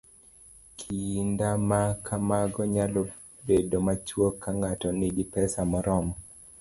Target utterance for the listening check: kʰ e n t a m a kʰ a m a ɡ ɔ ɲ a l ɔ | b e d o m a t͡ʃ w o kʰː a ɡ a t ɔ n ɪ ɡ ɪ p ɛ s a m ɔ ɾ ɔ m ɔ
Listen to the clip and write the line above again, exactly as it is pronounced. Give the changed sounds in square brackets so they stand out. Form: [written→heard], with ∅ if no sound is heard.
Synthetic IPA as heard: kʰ [e→i] n [t→d] a m a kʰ a m a ɡ ɔ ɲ a l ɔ | b e d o m a t͡ʃ w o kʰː a [ɡ→ŋ] a t ɔ n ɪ ɡ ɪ p ɛ s a m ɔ ɾ ɔ m ɔ